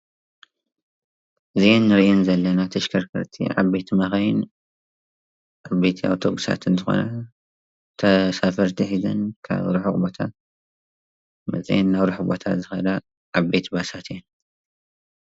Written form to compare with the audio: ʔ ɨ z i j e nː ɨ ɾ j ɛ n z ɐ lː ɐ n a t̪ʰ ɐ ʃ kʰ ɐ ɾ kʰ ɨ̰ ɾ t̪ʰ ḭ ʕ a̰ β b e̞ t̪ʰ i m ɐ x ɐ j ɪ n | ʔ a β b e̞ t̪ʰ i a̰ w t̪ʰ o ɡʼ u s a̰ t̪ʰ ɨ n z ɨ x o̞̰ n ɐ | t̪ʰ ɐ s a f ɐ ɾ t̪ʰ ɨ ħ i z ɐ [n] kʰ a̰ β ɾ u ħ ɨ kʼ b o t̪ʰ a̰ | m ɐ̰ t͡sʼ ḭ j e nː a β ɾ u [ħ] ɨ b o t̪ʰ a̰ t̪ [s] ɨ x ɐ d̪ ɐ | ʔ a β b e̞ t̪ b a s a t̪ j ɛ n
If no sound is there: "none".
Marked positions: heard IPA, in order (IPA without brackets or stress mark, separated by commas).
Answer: n, ħ, z